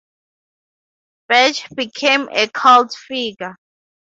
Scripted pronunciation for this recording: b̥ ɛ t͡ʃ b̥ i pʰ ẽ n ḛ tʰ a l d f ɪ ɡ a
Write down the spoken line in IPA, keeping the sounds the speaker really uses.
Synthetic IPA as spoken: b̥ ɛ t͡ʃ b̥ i kʰ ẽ m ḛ kʰ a l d f i ɡ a